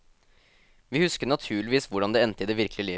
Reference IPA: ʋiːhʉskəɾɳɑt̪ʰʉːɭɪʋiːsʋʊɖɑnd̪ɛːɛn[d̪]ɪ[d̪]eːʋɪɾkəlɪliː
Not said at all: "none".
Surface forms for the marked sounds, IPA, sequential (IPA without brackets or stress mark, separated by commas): t̪, d̪